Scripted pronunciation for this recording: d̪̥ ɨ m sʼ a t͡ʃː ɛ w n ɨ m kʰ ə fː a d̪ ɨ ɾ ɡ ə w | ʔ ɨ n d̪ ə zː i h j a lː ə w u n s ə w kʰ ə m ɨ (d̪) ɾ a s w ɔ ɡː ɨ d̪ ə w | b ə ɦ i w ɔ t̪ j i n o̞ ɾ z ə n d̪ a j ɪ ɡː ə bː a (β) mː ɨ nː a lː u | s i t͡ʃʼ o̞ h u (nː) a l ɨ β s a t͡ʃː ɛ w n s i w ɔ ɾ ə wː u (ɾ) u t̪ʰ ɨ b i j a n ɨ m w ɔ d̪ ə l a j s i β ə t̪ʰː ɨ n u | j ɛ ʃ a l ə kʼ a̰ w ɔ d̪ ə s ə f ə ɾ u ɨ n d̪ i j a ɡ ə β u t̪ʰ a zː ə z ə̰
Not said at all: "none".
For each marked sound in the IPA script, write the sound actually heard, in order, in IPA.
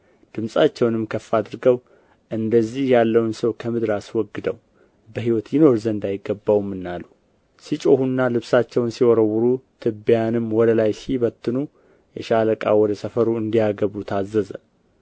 d̪, w, nː, ɾ

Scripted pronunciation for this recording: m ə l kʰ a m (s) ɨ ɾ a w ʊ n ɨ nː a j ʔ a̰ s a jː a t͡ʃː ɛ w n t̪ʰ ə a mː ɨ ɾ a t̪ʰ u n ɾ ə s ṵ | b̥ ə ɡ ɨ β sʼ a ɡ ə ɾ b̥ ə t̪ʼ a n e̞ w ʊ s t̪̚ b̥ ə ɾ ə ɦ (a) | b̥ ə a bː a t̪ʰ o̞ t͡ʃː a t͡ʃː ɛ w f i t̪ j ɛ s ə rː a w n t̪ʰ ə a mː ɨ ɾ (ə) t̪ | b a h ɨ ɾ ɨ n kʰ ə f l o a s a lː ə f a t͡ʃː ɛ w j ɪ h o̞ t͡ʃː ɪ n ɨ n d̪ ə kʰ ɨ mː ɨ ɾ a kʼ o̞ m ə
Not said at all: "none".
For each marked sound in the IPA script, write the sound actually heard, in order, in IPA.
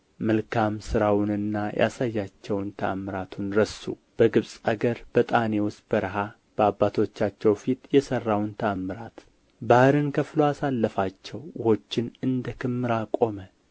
s, a, a

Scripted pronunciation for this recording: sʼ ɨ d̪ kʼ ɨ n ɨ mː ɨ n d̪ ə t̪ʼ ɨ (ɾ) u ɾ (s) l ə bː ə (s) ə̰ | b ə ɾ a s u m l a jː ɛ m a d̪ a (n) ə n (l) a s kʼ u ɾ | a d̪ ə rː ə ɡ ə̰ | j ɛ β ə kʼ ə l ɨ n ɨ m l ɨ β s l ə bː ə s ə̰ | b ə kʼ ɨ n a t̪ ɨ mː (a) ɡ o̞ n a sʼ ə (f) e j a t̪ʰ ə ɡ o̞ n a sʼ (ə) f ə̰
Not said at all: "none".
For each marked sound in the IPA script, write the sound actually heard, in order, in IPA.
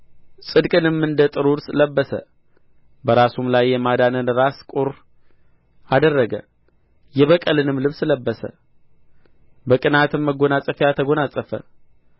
ɾ, s, s, n, ɾ, ə, f, ə

